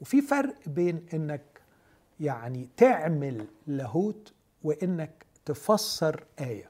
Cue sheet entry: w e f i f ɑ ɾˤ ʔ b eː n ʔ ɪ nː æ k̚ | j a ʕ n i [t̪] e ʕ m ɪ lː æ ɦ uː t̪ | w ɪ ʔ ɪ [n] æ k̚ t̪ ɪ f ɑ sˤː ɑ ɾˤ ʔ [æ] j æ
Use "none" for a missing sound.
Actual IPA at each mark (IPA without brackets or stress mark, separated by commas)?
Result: t̪, nː, æː